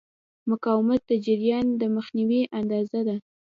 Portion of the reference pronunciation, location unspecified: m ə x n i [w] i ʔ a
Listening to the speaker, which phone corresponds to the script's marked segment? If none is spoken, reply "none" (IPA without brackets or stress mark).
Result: w